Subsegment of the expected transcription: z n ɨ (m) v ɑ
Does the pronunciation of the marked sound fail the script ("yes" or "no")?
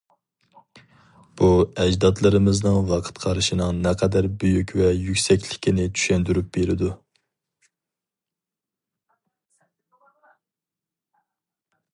yes